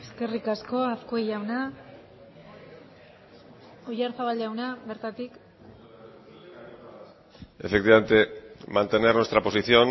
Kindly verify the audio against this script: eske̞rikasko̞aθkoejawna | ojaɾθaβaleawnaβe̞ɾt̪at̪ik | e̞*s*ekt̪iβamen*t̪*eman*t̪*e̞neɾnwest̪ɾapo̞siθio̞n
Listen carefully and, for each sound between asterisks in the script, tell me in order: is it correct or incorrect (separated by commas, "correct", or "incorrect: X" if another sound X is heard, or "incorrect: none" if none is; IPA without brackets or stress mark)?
incorrect: f, correct, correct